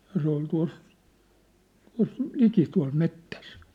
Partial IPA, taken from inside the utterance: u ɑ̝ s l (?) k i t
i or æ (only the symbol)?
i